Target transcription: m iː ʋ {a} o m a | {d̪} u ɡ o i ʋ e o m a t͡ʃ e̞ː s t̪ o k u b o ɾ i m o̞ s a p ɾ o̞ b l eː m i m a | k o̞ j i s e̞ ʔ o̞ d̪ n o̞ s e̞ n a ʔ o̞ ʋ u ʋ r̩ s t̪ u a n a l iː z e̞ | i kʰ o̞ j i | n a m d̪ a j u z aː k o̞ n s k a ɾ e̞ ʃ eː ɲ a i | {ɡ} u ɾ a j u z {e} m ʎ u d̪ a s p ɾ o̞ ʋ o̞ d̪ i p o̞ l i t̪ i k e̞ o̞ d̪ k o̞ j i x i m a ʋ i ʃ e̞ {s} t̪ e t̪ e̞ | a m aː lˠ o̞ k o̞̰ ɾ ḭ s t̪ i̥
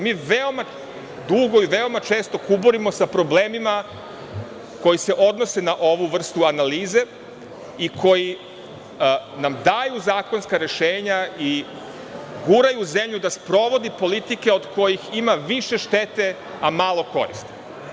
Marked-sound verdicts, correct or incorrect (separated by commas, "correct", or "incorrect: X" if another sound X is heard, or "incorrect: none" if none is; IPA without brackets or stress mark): incorrect: e, correct, correct, correct, incorrect: ʃ